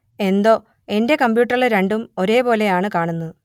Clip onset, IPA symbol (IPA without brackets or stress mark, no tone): e̞